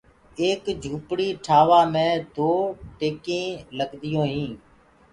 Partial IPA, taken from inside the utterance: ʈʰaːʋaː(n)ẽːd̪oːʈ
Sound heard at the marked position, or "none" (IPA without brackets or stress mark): m